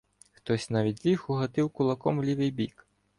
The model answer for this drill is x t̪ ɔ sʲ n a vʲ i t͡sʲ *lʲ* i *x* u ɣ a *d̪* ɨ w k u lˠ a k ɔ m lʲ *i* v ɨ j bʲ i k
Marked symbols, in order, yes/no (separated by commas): yes, yes, no, yes